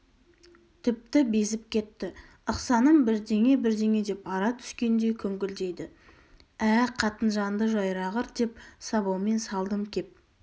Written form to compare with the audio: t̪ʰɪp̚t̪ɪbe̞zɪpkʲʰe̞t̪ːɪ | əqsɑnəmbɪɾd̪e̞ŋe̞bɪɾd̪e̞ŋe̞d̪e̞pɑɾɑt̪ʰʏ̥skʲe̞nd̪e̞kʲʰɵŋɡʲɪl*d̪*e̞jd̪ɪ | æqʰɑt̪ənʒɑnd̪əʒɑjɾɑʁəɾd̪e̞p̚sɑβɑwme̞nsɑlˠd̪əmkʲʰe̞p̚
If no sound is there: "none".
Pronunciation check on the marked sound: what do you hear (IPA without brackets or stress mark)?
d̪